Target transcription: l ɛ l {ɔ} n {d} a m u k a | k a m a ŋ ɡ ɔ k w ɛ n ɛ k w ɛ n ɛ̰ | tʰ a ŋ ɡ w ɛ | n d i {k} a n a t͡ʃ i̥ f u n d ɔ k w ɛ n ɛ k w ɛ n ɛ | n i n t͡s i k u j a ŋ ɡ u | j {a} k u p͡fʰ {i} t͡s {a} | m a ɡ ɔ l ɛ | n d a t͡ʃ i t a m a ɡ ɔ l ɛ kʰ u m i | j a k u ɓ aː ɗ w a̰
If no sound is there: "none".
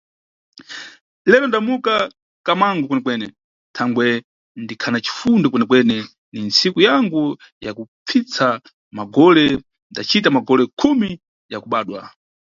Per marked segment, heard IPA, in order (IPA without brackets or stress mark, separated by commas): ɔ, d, kʰ, a, i, a